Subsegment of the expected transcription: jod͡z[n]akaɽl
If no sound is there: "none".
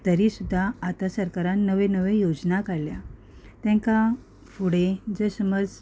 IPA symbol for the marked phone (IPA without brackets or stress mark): n